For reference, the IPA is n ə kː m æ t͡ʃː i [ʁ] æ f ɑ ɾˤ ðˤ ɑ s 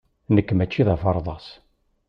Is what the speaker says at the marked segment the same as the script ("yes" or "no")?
no